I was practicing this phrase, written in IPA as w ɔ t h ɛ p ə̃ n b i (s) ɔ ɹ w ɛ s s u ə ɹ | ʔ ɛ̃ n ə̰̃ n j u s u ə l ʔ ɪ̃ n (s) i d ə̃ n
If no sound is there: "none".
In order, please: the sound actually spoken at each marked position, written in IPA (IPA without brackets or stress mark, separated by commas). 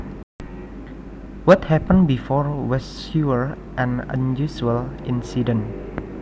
f, s